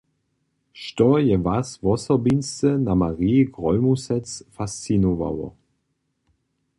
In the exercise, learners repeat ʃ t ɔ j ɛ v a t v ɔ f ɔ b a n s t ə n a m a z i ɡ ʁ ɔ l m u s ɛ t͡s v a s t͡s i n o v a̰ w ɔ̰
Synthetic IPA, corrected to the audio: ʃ t ɔ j ɛ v a s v ɔ s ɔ b i n s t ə n a m a ʁ i ɡ ʁ ɔ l m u s ɛ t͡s f a s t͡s i n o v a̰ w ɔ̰